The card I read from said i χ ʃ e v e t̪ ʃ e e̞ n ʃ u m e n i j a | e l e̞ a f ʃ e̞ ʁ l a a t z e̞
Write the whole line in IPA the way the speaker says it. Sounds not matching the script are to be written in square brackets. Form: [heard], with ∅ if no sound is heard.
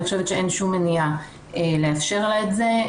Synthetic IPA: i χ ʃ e v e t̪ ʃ e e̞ n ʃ u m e n i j a | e l e̞ a f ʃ e̞ ʁ l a [e] t z e̞